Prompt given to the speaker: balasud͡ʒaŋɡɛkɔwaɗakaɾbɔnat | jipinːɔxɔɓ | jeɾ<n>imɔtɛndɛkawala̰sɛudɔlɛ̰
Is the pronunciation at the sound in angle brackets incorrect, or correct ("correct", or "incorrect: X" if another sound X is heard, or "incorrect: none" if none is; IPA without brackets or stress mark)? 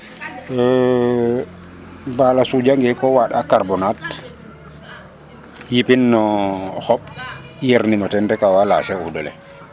correct